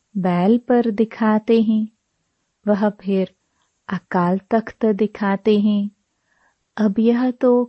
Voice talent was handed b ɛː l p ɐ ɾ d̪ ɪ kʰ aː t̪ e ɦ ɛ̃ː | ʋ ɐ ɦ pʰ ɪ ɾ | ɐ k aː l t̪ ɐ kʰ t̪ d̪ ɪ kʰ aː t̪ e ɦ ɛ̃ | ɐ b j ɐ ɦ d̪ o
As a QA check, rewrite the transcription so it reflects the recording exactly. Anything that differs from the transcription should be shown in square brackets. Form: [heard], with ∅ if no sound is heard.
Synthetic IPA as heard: b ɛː l p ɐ ɾ d̪ ɪ kʰ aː t̪ e ɦ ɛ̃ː | ʋ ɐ ɦ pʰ ɪ ɾ | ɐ k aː l t̪ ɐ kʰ t̪ d̪ ɪ kʰ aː t̪ e ɦ ɛ̃ | ɐ b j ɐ ɦ [t̪] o